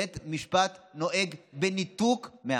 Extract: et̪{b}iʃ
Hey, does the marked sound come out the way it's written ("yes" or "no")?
no